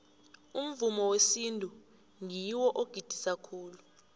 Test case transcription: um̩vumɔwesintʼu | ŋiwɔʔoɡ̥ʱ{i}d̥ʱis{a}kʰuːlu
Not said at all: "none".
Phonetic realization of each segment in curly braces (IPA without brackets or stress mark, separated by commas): i, a